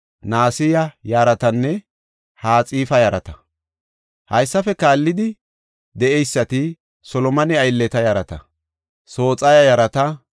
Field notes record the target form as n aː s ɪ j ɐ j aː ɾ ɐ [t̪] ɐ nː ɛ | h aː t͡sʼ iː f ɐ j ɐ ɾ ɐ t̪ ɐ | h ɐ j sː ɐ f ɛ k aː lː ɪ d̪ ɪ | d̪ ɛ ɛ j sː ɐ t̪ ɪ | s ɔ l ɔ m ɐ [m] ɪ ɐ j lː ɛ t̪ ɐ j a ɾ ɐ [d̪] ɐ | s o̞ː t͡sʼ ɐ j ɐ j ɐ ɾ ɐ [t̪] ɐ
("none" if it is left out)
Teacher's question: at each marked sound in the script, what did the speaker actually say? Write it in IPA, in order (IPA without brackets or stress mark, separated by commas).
t̪, n, t̪, t̪